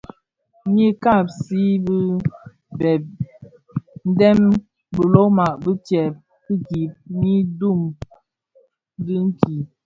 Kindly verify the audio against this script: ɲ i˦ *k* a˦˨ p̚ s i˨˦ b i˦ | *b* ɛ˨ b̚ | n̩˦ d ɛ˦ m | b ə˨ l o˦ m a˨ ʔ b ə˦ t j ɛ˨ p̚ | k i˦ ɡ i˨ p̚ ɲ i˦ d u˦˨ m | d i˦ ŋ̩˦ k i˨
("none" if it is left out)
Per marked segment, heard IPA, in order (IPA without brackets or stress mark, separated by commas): k, b